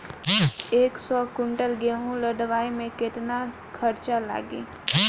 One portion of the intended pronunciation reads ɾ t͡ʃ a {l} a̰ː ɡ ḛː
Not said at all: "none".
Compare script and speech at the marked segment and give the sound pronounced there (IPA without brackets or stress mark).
l